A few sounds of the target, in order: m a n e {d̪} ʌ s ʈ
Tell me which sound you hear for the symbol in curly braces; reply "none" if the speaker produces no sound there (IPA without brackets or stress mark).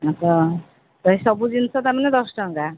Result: d̪